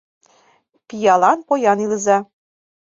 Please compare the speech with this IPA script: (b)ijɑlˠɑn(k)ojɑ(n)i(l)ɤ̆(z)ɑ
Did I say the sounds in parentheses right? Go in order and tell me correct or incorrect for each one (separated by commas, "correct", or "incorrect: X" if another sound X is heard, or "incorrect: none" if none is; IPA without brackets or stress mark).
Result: incorrect: p, incorrect: p, correct, correct, correct